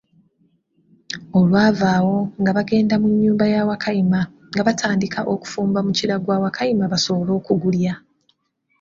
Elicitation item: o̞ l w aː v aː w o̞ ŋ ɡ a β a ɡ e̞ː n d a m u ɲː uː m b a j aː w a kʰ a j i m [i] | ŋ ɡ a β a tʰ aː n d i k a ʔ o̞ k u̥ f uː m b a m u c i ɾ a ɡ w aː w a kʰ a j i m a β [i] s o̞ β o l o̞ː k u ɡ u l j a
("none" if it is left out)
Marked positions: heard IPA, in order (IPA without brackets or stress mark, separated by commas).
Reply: a, a